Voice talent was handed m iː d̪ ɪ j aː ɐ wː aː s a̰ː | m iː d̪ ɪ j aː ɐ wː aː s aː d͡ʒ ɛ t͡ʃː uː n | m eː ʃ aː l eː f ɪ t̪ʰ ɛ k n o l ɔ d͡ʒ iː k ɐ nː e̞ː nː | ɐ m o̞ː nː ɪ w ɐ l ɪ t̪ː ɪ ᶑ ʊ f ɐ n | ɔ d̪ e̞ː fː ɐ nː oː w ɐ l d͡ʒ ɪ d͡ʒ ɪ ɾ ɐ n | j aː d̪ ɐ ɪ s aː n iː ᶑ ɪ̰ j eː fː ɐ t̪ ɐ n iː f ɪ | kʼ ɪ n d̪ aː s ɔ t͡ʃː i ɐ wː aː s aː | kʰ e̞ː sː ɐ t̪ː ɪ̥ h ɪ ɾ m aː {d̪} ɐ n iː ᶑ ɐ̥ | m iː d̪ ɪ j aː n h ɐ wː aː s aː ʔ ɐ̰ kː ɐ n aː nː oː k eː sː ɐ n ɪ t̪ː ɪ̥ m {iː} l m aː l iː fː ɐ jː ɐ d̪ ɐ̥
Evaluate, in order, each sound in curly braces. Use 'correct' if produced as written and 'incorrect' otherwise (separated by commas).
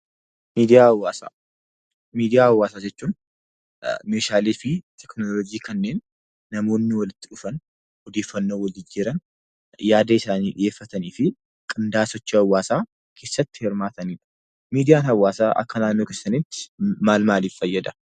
incorrect, incorrect